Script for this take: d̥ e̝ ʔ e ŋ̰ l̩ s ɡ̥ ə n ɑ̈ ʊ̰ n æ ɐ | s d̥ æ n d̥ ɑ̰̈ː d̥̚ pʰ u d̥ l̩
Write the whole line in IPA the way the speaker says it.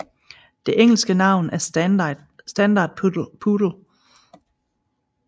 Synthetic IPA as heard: d̥ e̝ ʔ e ŋ̰ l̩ s ɡ̥ ə n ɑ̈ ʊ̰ n æ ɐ | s d̥ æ n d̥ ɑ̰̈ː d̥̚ pʰ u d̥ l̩

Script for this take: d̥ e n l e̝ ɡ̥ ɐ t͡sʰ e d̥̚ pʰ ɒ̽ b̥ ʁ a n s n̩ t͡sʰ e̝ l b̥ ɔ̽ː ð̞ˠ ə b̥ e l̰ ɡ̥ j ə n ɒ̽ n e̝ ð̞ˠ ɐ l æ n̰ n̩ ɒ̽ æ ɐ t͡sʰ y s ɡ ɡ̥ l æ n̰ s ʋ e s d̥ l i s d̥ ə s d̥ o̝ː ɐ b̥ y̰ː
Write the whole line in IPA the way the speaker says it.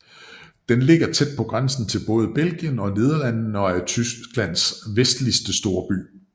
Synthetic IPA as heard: d̥ e n l e̝ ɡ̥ ɐ t͡sʰ e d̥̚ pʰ ɒ̽ ɡ̥ ʁ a n s n̩ t͡sʰ e̝ l b̥ ɔ̽ː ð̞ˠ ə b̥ e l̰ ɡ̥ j ə n ɒ̽ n e̝ ð̞ˠ ɐ l æ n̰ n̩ ɒ̽ æ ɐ t͡sʰ y s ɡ ɡ̥ l æ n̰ s ʋ e s d̥ l i s d̥ ə s d̥ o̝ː ɐ b̥ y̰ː

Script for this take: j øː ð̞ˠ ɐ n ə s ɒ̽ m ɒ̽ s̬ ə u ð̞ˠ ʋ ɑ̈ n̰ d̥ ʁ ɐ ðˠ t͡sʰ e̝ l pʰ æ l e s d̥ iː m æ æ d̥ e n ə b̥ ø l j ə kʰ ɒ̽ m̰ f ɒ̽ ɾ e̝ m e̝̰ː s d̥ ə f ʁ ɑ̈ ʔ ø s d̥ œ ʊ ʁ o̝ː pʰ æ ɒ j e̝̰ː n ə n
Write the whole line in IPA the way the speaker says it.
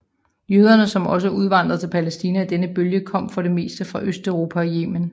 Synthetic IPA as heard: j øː ð̞ˠ ɐ n ə s ɒ̽ m ɒ̽ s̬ ə u ð̞ˠ ʋ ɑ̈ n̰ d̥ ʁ ɐ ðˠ t͡sʰ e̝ l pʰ æ l e s d̥ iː n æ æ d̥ e n ə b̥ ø l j ə kʰ ɒ̽ m̰ f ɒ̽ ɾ e̝ m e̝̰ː s d̥ ə f ʁ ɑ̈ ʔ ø s d̥ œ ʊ ʁ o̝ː pʰ æ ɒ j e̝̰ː m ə n

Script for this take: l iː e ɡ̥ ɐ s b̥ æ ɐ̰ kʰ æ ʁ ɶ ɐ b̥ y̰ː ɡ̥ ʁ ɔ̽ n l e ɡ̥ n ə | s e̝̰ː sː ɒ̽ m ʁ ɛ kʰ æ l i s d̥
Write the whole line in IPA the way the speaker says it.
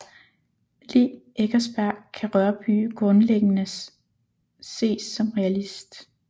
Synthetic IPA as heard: l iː e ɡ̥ ɐ s b̥ æ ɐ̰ kʰ æ ʁ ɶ ɐ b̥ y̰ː ɡ̥ ʁ ɔ̽ n l e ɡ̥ n ə | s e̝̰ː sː ɒ̽ m ʁ ɛ æ l i s d̥

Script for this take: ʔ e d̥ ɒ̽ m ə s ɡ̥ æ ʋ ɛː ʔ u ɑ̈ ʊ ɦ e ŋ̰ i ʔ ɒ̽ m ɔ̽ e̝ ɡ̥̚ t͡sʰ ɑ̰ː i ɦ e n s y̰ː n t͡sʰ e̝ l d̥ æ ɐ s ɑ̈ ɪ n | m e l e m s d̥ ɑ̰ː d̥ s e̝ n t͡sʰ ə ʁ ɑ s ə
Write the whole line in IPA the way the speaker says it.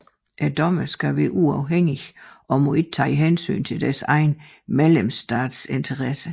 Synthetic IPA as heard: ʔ æ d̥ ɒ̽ m ə s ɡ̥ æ ʋ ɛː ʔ u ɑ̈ ʊ ɦ e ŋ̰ i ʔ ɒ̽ m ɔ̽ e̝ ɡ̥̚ t͡sʰ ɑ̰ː i ɦ e n s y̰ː n t͡sʰ e̝ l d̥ æ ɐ s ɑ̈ ɪ n | m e l e m s d̥ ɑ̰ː d̥ s e̝ n t͡sʰ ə ʁ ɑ s ə

